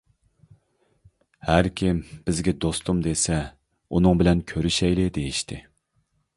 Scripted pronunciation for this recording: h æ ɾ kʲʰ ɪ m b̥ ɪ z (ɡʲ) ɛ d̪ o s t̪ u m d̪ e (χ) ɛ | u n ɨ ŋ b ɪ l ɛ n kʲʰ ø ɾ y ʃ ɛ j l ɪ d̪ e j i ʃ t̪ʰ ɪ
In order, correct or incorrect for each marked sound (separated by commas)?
correct, incorrect